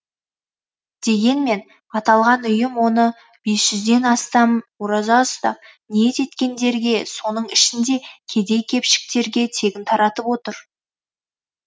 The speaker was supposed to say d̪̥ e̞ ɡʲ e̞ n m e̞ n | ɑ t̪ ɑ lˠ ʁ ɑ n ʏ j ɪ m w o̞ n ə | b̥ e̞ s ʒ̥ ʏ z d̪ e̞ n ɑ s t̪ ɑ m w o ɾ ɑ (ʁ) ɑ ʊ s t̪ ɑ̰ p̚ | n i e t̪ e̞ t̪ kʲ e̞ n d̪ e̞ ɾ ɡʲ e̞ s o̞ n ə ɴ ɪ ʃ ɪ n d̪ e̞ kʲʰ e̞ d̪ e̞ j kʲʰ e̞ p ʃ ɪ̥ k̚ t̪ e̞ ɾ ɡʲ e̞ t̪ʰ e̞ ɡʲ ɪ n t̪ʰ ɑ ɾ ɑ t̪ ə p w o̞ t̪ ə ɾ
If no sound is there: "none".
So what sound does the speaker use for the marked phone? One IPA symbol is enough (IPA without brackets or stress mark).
z